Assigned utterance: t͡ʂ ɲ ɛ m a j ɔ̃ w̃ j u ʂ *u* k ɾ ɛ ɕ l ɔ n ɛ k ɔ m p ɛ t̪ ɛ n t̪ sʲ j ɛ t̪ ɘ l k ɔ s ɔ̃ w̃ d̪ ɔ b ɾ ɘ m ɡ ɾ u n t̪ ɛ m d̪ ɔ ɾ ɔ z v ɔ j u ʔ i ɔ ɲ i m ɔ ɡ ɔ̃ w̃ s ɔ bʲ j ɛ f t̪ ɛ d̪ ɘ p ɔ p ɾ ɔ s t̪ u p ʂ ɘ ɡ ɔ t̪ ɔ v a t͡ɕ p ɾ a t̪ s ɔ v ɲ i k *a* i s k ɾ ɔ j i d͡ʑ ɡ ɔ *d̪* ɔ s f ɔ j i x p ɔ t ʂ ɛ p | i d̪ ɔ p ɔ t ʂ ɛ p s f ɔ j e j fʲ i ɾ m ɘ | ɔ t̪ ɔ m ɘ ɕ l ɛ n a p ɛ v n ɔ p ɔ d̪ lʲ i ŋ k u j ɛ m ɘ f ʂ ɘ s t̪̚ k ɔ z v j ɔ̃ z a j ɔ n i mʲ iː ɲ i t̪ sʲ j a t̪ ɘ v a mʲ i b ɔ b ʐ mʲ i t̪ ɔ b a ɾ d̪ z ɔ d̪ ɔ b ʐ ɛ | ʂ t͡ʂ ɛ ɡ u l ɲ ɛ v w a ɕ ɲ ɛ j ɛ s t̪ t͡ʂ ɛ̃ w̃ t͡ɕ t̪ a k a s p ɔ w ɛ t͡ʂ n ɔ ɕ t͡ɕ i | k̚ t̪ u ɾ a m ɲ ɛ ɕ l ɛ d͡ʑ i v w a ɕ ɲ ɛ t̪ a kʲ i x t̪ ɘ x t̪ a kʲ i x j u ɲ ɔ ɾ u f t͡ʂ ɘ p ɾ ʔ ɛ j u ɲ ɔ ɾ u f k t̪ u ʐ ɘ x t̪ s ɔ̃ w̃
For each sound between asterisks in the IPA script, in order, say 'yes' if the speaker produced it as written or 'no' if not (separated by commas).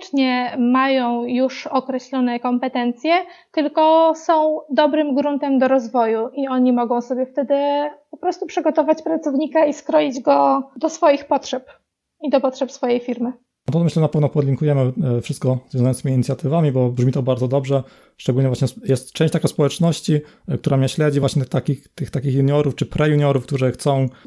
no, yes, yes